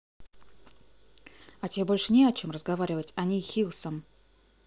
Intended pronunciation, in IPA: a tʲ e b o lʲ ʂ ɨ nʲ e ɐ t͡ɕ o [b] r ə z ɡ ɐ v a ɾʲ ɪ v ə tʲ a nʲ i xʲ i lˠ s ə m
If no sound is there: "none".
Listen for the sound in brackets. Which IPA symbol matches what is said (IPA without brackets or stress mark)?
m